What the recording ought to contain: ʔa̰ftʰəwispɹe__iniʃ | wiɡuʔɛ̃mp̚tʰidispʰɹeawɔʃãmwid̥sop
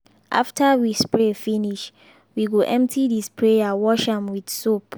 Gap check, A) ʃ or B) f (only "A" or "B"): B